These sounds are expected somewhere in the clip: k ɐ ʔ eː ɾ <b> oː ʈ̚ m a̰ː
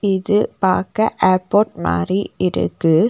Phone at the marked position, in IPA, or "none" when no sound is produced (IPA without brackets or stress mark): p